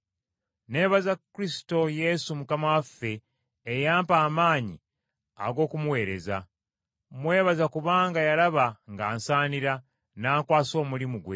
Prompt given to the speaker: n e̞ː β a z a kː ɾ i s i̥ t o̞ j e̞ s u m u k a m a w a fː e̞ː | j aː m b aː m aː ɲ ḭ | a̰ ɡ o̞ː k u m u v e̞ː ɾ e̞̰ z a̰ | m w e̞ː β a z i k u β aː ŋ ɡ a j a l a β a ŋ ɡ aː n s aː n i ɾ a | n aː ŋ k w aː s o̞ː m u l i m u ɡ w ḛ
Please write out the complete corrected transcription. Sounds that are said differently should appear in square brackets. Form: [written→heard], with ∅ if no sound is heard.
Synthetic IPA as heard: n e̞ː β a z a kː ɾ i s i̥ t o̞ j e̞ s u m u k a m a w a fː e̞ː | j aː m [b→p] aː m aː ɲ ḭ | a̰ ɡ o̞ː k u m u [v→w] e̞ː ɾ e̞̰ z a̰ | m w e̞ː β a z [i→a] k u β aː ŋ ɡ a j a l a β a ŋ ɡ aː n s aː n i ɾ a | n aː ŋ k w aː s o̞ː m u l i m u ɡ w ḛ